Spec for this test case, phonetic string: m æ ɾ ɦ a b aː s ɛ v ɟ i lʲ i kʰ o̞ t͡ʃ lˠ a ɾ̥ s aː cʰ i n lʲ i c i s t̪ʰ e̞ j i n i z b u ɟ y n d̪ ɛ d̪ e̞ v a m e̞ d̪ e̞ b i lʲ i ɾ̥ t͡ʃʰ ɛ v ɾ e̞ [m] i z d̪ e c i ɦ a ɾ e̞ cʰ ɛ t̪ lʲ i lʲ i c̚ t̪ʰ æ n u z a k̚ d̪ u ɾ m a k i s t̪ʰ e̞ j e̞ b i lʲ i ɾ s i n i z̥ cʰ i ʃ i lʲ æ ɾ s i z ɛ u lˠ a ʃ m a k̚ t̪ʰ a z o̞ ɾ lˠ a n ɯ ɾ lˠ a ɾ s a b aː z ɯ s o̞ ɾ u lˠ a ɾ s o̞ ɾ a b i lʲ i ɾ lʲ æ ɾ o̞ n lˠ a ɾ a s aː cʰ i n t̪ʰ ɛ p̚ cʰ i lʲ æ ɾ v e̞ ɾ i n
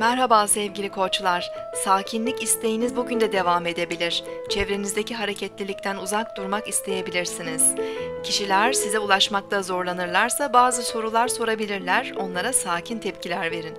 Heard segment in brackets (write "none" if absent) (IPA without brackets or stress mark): n